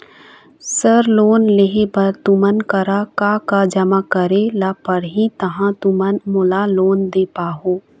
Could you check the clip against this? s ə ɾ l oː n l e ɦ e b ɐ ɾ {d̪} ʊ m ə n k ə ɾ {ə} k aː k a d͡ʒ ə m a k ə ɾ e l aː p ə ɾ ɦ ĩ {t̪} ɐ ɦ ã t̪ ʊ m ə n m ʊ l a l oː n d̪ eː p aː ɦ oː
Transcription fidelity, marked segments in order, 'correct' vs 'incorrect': incorrect: t̪, incorrect: a, correct

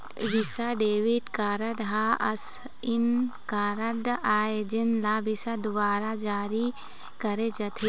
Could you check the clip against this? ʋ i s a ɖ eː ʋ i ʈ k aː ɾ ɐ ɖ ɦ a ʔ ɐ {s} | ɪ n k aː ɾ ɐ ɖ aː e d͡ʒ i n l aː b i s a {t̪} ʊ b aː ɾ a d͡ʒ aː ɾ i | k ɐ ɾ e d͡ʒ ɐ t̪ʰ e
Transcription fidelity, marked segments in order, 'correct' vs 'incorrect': correct, incorrect: d̪

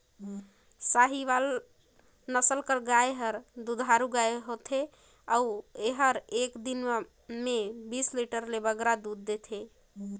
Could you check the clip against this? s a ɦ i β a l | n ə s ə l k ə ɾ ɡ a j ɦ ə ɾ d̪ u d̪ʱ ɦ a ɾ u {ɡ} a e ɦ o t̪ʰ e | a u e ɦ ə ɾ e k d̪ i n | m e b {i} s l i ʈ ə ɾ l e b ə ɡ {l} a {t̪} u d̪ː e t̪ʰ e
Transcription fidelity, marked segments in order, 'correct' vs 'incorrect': correct, correct, incorrect: ɾ, incorrect: d̪

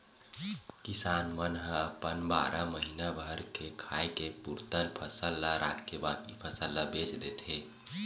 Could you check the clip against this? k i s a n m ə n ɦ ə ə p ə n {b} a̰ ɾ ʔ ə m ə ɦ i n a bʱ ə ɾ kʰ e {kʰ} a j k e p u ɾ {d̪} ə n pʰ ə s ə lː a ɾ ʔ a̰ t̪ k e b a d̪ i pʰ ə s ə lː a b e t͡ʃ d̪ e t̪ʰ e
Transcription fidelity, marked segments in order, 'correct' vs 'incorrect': correct, correct, incorrect: t̪

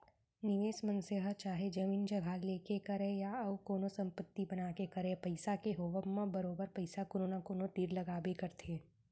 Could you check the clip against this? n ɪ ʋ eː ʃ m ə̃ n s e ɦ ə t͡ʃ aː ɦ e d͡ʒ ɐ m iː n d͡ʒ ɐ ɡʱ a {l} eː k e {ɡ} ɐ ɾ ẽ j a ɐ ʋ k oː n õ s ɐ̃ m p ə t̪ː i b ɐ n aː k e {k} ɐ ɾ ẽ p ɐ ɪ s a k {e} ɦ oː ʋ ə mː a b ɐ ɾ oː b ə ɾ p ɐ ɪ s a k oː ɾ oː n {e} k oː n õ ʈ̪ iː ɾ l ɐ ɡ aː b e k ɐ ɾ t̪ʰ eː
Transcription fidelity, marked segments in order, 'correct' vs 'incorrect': correct, incorrect: k, correct, correct, incorrect: a

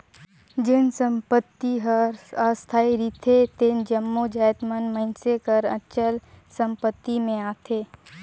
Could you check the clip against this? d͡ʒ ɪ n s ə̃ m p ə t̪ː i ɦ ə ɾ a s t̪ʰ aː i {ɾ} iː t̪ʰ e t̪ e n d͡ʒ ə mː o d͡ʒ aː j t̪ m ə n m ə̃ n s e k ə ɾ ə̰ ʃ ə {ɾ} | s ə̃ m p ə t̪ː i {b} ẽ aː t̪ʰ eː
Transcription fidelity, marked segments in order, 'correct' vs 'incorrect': correct, incorrect: l, incorrect: m

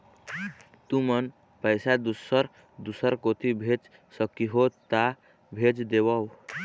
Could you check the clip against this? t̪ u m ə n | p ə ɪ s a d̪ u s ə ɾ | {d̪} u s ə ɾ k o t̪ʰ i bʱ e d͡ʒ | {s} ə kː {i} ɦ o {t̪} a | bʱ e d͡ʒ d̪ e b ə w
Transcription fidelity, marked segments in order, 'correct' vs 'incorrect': correct, correct, correct, correct

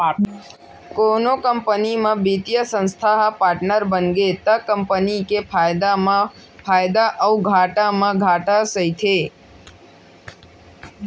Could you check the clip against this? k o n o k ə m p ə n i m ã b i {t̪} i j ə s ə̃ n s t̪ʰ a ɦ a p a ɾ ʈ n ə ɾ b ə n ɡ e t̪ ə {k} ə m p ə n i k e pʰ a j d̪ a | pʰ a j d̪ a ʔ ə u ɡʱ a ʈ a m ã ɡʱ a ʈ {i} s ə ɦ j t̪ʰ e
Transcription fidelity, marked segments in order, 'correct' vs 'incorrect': correct, correct, incorrect: a

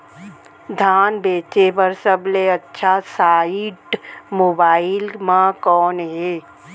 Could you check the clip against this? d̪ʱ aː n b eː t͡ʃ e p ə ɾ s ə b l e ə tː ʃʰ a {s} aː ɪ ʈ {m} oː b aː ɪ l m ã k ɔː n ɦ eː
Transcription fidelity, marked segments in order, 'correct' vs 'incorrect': correct, correct

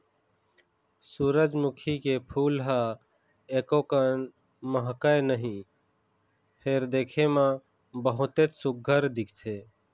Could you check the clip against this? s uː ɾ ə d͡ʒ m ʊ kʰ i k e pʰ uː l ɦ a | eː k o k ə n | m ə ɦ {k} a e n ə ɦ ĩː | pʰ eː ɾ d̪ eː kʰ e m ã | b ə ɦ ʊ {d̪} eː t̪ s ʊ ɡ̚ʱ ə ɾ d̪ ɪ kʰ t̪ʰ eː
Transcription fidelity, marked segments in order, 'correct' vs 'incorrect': correct, incorrect: t̪

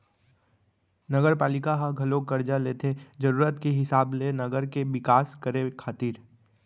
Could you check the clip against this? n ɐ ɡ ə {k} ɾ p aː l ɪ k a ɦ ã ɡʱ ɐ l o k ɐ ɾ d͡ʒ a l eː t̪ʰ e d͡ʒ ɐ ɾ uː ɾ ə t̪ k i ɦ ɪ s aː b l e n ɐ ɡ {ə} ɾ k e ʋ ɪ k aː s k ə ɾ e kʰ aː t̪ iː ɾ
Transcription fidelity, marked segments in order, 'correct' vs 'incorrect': incorrect: none, correct

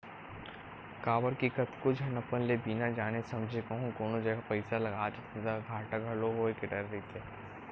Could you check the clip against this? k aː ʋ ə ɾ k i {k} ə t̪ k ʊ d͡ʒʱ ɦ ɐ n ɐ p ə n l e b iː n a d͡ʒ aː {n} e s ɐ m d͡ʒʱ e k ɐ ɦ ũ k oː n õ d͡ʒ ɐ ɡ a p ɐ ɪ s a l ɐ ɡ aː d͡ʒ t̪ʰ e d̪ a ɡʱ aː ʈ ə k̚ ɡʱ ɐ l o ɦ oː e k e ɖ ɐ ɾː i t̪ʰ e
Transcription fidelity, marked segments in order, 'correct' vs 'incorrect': correct, correct

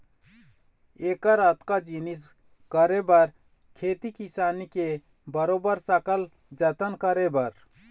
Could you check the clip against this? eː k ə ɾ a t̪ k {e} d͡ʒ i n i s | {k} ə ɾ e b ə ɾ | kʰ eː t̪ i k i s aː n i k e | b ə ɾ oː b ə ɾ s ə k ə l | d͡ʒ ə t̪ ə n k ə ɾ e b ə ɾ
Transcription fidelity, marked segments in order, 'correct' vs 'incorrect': incorrect: a, correct

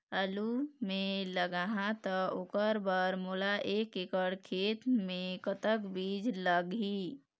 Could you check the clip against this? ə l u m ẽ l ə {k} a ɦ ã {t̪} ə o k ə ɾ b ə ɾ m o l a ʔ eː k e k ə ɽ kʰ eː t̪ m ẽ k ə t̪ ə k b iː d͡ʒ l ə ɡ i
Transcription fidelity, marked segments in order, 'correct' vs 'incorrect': incorrect: ɡ, correct

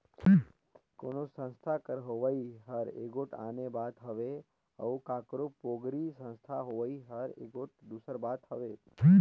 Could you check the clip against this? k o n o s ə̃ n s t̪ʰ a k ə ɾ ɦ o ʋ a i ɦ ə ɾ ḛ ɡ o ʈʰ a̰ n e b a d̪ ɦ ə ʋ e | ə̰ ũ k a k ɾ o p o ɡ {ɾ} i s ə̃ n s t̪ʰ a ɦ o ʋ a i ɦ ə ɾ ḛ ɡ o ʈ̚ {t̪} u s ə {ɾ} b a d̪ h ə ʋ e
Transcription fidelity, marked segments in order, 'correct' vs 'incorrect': correct, incorrect: d̪, correct

